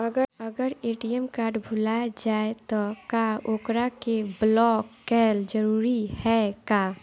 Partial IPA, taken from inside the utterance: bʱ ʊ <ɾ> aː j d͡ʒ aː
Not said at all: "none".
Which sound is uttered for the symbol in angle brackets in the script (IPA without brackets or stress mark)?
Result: l